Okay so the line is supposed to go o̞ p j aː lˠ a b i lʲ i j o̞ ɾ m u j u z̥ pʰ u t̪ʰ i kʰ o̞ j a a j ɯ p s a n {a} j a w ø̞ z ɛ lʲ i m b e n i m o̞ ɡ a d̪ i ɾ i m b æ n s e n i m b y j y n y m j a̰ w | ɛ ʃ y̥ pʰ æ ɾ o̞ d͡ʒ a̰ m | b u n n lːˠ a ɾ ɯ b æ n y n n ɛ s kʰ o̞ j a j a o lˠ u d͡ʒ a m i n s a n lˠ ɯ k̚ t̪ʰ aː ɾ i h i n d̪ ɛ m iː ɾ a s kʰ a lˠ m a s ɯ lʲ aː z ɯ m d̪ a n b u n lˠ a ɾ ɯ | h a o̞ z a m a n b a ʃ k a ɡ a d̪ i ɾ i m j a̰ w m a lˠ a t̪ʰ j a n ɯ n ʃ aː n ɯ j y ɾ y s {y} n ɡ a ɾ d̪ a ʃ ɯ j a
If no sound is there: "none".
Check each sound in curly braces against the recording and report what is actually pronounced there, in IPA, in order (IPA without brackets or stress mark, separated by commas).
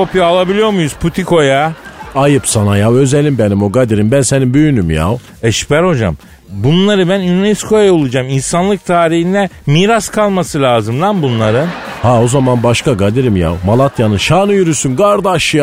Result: a, y